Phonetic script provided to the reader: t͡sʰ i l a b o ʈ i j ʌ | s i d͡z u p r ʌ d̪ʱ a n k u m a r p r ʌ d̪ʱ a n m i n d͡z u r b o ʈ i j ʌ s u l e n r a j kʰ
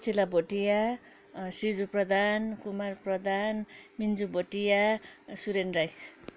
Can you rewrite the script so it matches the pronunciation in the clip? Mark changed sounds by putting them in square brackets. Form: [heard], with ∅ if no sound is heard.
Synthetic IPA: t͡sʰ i l a b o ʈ i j [a] | s i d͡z u p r ʌ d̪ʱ a n k u m a r p r ʌ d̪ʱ a n m i n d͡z u [∅] b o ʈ i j [a] s u [ɾ] e n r a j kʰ